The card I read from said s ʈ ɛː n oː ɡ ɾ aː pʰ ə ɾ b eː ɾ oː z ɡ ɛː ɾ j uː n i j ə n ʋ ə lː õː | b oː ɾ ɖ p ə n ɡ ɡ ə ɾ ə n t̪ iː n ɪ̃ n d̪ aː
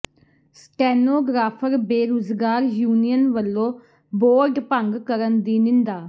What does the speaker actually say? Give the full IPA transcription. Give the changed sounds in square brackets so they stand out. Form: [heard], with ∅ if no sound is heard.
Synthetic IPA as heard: s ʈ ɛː n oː ɡ ɾ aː pʰ ə ɾ b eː ɾ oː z ɡ [aː] ɾ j uː n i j ə n ʋ ə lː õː | b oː ɾ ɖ p ə [ŋ] ɡ [k] ə ɾ ə n [d̪] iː n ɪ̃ n d̪ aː